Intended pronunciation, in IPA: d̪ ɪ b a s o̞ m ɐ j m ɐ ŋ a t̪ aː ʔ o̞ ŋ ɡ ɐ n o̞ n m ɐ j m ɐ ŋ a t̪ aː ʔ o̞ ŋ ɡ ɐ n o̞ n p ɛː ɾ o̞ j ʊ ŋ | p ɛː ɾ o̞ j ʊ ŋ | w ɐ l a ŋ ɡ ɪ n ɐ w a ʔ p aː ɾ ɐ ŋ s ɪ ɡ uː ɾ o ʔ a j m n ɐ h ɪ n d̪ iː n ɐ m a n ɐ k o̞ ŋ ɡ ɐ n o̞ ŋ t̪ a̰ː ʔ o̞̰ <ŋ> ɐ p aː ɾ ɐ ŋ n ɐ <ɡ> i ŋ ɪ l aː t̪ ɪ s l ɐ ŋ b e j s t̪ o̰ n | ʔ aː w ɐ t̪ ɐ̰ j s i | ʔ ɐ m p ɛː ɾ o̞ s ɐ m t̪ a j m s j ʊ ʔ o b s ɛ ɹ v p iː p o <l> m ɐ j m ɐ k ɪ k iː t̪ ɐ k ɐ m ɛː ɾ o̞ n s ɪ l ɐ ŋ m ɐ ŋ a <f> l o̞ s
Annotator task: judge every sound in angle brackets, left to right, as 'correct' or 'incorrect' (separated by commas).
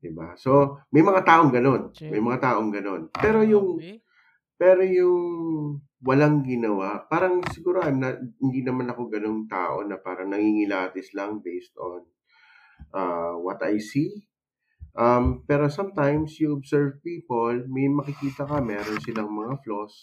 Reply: incorrect, incorrect, correct, correct